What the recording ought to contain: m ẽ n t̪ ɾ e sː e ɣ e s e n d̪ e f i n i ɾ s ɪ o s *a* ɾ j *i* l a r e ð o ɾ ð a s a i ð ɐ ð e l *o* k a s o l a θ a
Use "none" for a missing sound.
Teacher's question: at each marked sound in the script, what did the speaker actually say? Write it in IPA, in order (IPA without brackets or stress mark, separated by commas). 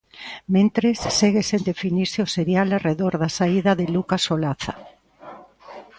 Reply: e, a, u